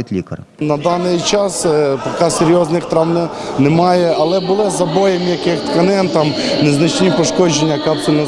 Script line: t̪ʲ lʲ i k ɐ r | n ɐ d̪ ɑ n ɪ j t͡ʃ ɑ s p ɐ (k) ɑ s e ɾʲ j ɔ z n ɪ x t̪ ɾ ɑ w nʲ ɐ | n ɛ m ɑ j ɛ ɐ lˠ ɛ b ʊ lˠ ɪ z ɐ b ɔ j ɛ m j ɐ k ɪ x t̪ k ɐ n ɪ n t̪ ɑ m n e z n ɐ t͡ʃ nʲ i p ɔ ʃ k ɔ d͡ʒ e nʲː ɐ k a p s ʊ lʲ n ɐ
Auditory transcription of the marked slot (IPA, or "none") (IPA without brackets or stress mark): k